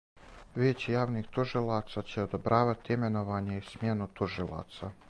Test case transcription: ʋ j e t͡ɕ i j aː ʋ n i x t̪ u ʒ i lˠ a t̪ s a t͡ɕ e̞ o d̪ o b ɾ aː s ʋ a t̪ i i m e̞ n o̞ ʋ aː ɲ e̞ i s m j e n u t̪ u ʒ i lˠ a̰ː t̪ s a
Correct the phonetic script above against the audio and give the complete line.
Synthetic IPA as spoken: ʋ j e t͡ɕ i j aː ʋ n i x t̪ u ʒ i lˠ a t̪ s a t͡ɕ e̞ o d̪ o b ɾ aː ʋ a t̪ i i m e̞ n o̞ ʋ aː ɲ e̞ i s m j e n u t̪ u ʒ i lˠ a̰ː t̪ s a